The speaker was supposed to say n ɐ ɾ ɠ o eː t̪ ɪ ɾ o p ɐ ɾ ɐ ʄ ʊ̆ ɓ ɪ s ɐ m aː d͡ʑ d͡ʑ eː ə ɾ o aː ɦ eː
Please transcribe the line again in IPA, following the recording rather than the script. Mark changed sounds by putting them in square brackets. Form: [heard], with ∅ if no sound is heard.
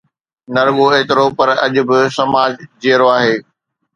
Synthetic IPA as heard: n ɐ ɾ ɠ o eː t̪ ɪ ɾ o p ɐ ɾ ɐ ʄ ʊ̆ [b] ɪ s ɐ m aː d͡ʑ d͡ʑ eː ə ɾ o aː ɦ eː